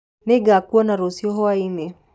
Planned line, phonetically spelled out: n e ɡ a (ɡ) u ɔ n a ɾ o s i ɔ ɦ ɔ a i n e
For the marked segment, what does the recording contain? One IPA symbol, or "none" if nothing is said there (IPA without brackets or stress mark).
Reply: k